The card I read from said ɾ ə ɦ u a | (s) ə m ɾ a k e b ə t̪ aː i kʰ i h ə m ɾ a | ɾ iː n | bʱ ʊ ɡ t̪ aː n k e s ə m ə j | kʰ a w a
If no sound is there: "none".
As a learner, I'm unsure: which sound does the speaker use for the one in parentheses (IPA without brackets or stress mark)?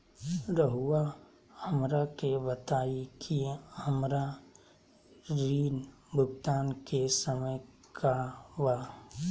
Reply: h